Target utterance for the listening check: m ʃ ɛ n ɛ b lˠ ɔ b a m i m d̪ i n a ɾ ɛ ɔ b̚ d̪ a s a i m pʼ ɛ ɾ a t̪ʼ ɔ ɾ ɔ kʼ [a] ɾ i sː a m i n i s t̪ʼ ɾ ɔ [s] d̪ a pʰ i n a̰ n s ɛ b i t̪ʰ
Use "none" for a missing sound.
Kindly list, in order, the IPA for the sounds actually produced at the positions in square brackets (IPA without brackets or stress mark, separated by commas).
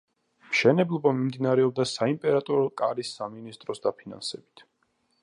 a, s